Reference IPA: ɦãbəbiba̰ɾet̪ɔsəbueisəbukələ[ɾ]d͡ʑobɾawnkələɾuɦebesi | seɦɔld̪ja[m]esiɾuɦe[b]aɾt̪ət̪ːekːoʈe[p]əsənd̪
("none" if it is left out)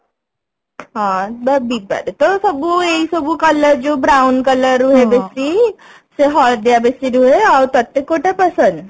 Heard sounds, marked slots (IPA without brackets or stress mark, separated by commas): ɾ, b, none, p